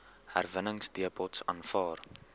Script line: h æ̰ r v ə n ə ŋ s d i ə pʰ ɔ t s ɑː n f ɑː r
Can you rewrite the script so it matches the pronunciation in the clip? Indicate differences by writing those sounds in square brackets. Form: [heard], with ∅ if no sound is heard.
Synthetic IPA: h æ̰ r v ə n ə ŋ s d i ə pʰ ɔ t s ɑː n f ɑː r